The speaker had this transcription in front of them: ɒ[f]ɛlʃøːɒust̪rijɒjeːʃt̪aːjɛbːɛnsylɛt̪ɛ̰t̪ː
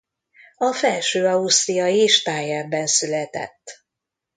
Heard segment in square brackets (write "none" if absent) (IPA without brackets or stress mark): f